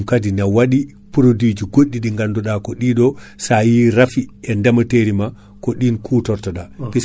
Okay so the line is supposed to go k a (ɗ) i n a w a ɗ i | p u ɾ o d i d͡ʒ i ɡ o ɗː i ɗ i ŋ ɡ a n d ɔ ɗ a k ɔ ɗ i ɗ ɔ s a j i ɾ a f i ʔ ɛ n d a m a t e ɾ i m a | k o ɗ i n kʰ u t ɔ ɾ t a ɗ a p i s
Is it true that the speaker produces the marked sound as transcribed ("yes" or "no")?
no